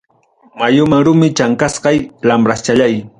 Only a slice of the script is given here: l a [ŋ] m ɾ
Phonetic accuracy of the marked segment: incorrect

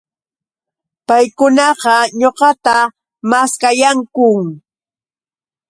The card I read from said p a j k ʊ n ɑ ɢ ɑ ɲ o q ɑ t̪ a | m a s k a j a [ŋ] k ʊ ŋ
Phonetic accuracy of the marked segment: correct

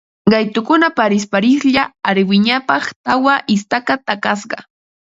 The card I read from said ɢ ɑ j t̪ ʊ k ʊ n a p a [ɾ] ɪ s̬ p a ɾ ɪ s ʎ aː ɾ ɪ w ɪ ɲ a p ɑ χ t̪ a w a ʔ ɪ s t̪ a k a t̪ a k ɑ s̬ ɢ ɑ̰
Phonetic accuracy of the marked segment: correct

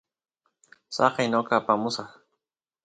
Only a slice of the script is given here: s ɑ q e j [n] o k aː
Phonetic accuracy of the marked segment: correct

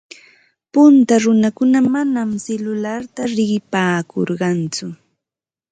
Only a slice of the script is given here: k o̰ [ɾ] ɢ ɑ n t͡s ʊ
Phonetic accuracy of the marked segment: correct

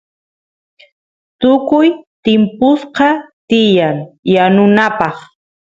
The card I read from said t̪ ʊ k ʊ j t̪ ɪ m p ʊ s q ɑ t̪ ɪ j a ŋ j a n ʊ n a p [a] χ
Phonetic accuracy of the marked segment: incorrect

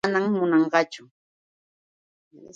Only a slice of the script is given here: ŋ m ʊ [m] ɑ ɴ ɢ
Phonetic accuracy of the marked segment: incorrect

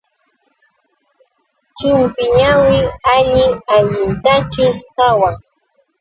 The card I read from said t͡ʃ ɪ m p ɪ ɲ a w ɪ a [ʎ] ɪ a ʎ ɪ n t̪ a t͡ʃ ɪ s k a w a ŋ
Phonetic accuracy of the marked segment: correct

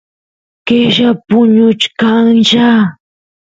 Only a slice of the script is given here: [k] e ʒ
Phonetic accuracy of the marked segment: correct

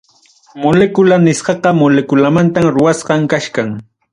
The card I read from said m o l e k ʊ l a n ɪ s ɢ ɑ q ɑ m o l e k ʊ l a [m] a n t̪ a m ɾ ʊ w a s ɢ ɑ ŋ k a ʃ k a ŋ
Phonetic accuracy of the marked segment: correct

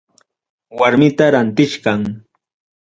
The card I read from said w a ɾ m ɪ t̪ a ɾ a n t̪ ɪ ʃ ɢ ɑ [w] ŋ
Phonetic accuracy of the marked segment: incorrect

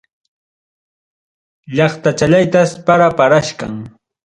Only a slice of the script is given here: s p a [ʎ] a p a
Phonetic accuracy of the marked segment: incorrect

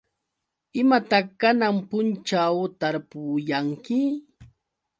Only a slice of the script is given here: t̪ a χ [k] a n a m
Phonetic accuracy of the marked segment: correct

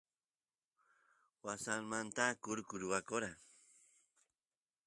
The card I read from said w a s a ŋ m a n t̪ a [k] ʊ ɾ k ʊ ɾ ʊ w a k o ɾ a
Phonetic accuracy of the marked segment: correct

